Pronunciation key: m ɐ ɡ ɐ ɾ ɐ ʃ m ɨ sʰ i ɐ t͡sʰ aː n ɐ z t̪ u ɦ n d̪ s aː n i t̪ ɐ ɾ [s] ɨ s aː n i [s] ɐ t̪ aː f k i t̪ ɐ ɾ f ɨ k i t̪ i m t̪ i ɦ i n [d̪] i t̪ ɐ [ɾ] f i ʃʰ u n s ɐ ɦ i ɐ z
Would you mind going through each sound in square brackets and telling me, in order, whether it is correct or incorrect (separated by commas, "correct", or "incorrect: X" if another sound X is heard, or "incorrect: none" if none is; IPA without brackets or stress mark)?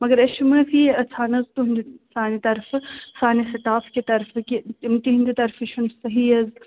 incorrect: f, correct, correct, correct